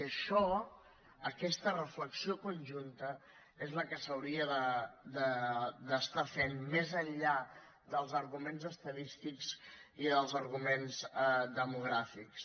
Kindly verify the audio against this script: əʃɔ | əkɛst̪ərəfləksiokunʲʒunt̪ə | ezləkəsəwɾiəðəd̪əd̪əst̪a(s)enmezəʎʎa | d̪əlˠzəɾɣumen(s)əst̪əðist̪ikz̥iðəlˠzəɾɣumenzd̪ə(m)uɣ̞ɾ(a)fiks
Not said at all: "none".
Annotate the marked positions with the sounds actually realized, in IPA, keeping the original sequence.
f, z, m, a

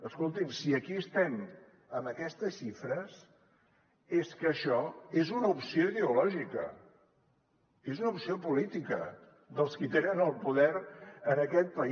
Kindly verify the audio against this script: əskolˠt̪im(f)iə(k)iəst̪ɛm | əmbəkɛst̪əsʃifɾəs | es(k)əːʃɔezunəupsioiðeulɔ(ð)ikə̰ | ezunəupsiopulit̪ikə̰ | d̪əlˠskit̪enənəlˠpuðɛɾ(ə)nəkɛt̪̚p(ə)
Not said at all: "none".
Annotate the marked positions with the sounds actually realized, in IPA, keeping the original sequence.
s, k, k, ʒ, ə, ə

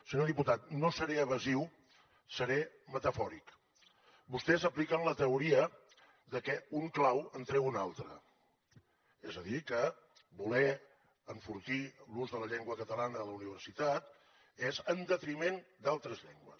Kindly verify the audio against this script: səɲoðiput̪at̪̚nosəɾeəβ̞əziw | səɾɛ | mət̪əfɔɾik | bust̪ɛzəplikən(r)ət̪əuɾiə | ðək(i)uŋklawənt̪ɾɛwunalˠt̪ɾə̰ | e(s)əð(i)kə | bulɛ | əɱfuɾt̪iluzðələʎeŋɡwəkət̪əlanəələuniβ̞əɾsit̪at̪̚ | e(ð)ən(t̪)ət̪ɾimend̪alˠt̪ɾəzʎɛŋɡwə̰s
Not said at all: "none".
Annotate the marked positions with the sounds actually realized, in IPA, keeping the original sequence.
l, ɛ, z, i, z, d̪

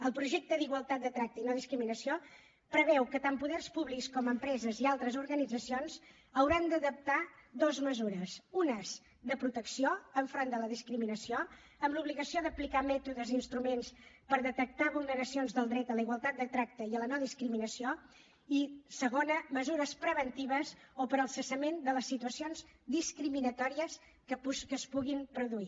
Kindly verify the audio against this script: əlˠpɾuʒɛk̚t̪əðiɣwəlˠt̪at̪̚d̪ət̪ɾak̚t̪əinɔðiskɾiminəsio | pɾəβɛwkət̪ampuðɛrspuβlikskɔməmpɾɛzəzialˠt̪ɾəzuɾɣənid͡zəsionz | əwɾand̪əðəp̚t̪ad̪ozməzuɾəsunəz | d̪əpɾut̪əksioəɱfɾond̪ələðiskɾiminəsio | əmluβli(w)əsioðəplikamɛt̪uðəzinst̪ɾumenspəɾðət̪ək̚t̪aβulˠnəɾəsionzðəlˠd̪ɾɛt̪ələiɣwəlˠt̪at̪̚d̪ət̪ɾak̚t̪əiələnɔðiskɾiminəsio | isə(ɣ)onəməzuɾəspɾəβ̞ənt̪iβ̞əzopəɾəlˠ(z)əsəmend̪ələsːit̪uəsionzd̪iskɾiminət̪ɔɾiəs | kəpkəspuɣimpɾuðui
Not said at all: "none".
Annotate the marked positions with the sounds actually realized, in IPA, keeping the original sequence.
ɣ, ɣ, s

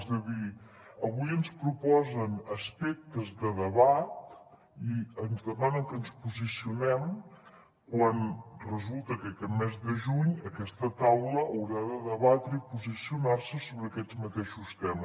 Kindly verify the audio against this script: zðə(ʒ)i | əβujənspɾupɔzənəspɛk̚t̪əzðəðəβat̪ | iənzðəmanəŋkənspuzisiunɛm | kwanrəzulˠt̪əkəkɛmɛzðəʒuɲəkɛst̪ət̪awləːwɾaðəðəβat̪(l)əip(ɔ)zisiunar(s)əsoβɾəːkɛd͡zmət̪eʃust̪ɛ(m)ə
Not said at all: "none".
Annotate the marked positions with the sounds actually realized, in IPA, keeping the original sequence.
ð, ɾ, u, s, m

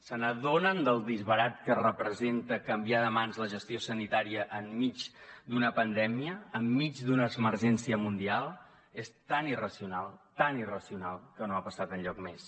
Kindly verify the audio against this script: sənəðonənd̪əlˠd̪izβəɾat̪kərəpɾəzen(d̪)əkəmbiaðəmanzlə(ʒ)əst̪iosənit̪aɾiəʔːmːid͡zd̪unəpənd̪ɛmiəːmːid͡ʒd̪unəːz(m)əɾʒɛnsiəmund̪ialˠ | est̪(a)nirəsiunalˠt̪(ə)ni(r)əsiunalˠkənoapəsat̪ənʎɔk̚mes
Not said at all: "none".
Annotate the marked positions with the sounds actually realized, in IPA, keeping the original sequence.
t̪, ʒ, m, a, a, r

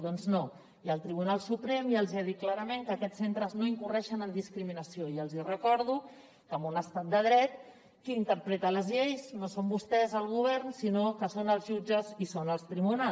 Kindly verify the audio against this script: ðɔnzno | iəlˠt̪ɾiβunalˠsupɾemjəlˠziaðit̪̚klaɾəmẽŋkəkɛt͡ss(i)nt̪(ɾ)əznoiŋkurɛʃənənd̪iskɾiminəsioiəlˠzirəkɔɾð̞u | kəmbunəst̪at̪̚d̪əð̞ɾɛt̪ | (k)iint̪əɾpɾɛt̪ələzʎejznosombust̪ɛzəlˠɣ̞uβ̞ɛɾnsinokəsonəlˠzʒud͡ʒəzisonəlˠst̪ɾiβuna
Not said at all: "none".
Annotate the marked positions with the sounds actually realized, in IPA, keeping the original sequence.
e, ɾ, k

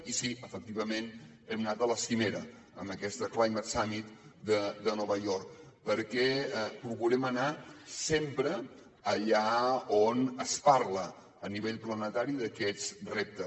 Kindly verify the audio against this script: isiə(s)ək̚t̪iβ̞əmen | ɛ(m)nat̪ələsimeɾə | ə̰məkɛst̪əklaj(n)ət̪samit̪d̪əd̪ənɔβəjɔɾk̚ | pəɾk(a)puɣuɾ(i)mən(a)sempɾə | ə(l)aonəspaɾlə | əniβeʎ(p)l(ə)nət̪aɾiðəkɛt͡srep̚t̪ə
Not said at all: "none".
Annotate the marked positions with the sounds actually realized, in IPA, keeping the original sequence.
f, m, m, ɛ, ɛ, a, ʎ, p, ə

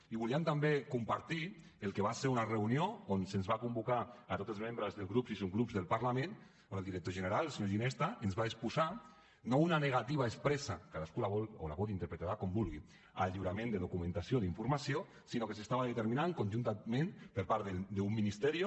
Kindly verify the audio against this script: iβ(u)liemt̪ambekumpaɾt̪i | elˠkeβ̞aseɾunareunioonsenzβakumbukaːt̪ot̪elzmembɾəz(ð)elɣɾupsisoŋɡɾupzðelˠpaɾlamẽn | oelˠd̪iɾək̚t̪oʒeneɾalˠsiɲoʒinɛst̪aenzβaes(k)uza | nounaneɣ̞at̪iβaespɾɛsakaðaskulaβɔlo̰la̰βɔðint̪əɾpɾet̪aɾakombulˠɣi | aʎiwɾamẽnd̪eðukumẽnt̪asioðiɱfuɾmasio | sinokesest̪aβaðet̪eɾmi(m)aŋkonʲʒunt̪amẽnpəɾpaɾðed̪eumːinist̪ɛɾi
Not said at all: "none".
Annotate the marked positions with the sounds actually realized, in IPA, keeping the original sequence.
u, ð, p, n

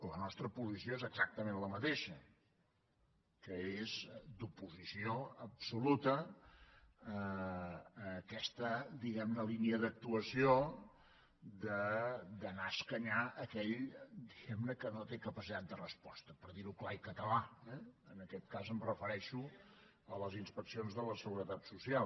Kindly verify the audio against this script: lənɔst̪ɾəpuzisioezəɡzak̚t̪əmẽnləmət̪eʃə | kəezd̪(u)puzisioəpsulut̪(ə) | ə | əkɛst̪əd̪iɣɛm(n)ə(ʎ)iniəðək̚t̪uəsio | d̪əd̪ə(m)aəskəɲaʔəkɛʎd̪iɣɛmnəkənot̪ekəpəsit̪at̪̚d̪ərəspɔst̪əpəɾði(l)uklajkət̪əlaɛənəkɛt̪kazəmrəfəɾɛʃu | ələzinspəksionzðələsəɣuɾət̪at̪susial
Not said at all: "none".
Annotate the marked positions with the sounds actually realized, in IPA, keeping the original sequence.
u, ə, n, l, n, ɾ

